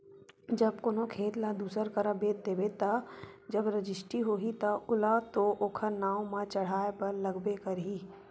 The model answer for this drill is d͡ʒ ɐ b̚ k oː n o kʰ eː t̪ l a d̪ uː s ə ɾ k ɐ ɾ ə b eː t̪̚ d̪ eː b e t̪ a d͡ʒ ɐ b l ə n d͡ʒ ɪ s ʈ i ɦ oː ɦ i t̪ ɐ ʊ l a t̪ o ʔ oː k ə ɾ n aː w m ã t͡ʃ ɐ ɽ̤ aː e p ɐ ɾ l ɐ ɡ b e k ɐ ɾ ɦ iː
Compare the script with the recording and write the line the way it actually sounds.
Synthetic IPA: d͡ʒ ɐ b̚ k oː n o kʰ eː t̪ l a d̪ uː s ə ɾ k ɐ ɾ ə b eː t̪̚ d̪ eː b e t̪ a d͡ʒ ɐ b ɾ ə d͡ʒ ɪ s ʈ i ɦ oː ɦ i t̪ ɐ ʊ l a t̪ o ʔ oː kʰ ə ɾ n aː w m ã t͡ʃ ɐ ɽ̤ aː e p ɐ ɾ l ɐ ɡ b e k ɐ ɾ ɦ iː

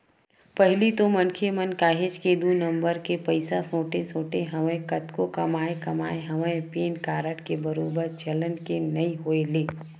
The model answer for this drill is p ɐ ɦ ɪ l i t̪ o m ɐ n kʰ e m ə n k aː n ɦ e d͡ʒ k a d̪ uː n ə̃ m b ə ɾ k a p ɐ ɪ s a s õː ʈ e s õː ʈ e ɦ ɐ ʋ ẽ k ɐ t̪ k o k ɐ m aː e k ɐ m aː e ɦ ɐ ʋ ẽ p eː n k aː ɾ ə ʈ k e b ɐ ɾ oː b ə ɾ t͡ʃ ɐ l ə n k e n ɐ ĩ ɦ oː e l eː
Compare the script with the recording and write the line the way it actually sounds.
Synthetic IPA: p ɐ ɦ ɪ l i t̪ o m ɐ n kʰ e m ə n k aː ɦ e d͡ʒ k e d̪ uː n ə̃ m b ə ɾ k e p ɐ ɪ s a s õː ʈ e s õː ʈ e ɦ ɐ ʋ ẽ k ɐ t̪ k o k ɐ m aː e k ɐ m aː e ɦ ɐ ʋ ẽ p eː n k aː ɾ ə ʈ k e b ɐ ɾ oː b ə ɾ t͡ʃ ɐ l ə n k e n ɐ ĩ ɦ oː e l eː

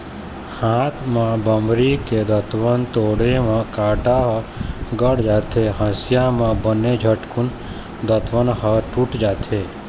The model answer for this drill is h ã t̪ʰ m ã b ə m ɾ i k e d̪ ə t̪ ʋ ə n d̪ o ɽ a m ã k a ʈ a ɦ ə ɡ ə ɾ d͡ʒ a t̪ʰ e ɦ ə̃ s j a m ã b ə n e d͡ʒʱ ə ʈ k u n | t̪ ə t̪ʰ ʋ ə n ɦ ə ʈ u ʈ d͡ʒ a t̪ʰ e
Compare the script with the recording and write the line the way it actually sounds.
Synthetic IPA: h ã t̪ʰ m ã b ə m ɾ i k e d̪ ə t̪ ʋ ə n t̪ o ɽ e m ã k a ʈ a ɦ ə ɡ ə ɽ d͡ʒ a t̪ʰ e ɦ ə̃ s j a m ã b ə n e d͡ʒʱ ə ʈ k u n | d̪ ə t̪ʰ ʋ ə n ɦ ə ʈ u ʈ d͡ʒ a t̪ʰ e

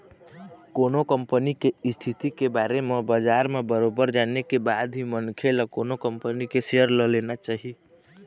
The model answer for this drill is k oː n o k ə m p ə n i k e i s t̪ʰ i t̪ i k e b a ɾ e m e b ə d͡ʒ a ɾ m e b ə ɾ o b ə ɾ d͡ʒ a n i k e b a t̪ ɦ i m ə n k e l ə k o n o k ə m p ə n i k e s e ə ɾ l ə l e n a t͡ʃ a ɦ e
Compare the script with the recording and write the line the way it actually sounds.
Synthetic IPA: k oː n o k ə m p ə n i k e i s t̪ʰ i t̪ i k e b a ɾ e m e b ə d͡ʒ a ɾ m e b ə ɾ o b ə ɾ d͡ʒ a n e k e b a d̪ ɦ i m ə n kʰ e l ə k o n o k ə m p ə n i k e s e ə ɾ l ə l e n a t͡ʃ a ɦ i

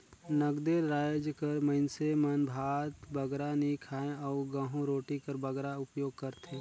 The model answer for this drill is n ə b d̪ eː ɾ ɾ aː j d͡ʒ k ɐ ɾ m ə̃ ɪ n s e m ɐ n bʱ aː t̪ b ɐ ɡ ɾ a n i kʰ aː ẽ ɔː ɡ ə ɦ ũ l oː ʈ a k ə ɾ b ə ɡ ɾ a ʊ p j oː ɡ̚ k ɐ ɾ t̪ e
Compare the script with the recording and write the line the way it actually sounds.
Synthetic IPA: n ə ɡ d̪ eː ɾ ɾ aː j d͡ʒ k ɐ ɾ m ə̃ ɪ n s e m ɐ n bʱ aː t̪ b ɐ ɡ ɾ a n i kʰ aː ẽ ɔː ɡ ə ɦ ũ ɾ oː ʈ i k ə ɾ b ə ɡ ɾ a ʊ p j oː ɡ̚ k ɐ ɾ t̪ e

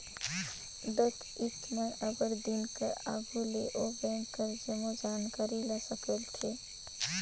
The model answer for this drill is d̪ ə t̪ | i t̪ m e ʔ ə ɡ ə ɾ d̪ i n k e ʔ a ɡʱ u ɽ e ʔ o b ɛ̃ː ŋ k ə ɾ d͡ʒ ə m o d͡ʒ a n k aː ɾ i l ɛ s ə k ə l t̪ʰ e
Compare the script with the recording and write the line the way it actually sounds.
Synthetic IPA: d̪ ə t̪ | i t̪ m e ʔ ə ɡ ə ɾ d̪ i n k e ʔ a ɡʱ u l e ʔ o b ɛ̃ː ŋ k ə ɾ d͡ʒ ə m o d͡ʒ a n k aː ɾ i l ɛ s ə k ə l t̪ʰ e

